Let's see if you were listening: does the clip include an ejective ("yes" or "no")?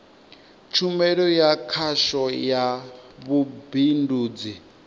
no